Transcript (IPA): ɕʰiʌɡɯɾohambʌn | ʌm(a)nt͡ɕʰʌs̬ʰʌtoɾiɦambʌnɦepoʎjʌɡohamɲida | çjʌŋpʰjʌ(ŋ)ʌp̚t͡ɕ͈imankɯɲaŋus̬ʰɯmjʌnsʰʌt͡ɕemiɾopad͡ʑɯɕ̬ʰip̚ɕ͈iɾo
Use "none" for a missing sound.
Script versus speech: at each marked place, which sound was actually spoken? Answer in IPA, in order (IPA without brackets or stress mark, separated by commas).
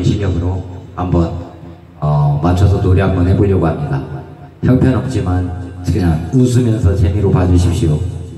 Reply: a, n